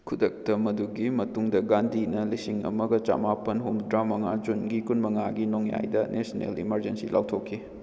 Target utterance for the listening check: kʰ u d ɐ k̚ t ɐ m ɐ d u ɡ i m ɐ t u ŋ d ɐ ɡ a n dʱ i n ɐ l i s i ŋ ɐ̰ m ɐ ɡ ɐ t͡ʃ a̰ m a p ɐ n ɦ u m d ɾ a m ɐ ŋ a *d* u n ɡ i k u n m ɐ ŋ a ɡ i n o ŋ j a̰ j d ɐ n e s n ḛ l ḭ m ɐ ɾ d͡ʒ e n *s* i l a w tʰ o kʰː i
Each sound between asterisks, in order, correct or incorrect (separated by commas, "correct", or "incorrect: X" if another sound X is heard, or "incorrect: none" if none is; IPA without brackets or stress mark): incorrect: d͡ʒ, correct